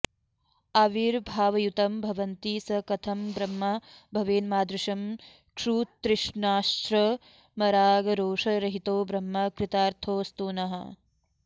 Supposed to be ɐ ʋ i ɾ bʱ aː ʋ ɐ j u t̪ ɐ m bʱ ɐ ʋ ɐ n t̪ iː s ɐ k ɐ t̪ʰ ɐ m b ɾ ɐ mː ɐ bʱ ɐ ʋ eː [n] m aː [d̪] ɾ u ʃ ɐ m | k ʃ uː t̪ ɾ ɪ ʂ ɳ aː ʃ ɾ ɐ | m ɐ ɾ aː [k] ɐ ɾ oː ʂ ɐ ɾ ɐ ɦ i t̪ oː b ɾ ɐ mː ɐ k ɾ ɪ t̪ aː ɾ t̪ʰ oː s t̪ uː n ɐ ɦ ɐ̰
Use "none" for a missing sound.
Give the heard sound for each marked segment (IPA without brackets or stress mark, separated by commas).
n, d̪, ɡ